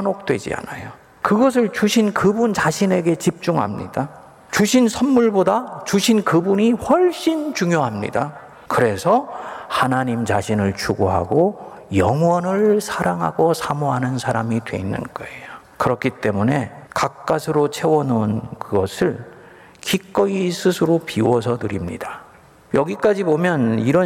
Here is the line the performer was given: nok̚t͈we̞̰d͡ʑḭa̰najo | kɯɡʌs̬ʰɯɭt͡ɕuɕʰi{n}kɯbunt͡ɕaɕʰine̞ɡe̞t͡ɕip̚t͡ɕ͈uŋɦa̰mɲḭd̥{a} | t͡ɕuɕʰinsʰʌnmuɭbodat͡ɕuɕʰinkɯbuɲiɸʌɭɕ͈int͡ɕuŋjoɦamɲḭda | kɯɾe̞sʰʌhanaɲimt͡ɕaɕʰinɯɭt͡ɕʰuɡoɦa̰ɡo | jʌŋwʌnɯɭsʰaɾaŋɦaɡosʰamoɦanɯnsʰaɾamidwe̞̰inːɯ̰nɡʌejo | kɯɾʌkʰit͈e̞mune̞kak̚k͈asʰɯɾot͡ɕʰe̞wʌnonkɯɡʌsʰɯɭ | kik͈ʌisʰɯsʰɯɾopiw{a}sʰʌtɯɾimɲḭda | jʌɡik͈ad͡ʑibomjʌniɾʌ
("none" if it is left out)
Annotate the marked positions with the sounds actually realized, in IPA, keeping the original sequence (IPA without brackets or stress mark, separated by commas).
n, a, ʌ